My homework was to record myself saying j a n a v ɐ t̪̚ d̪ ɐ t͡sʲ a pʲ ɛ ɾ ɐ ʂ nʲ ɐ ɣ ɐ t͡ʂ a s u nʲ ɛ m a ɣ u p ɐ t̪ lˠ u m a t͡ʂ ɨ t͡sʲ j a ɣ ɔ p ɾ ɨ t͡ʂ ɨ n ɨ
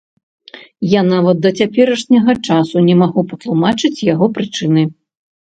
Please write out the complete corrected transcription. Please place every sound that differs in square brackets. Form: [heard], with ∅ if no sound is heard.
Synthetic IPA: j a n a v ɐ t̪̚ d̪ ɐ t͡sʲ a pʲ ɛ ɾ ɐ ʂ nʲ ɐ ɣ ɐ t͡ʂ a s u nʲ ɛ m a ɣ u p ɐ t̪ lˠ u m a t͡ʂ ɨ t͡sʲ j a ɣ ɔ p ɾ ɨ t͡ʂ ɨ n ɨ